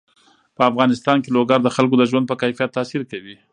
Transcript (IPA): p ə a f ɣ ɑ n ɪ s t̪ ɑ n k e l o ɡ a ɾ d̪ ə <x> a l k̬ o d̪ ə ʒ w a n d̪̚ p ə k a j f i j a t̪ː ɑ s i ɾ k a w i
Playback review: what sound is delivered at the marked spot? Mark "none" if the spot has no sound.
x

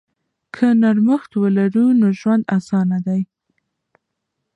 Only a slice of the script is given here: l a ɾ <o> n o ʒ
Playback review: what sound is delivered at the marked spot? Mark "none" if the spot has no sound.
u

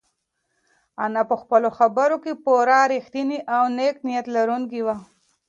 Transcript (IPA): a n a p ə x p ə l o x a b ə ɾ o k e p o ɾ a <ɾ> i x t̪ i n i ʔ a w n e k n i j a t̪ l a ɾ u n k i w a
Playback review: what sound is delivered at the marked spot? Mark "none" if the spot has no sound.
ɾ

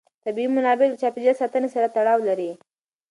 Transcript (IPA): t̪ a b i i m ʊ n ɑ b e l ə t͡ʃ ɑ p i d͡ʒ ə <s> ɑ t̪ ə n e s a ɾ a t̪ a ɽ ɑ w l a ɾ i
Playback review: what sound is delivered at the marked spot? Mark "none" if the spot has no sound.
s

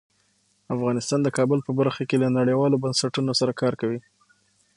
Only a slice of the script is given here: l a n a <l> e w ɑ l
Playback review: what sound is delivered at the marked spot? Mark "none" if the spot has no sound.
ɽ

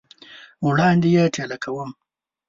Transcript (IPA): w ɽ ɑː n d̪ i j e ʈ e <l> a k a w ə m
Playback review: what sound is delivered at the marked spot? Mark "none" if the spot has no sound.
l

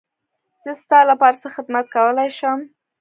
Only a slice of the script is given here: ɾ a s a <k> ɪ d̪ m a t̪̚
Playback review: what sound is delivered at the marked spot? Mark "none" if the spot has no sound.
x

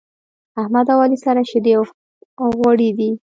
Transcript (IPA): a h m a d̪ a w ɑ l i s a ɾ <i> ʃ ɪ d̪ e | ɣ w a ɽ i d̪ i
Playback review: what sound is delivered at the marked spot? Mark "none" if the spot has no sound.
a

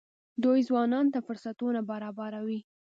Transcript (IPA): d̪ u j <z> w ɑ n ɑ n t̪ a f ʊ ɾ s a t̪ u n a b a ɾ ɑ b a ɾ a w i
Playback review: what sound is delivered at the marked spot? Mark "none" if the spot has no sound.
z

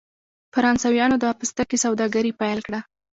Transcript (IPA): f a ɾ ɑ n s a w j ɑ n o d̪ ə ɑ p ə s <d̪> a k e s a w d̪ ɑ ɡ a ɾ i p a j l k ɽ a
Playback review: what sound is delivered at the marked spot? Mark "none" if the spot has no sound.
t̪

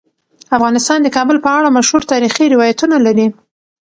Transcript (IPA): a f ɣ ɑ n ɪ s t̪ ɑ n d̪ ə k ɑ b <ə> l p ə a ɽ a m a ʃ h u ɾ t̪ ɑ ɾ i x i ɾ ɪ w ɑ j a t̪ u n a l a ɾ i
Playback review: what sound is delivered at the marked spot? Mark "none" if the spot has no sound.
ə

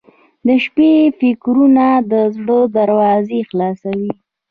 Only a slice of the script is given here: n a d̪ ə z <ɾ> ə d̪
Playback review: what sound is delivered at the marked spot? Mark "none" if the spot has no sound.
ɽ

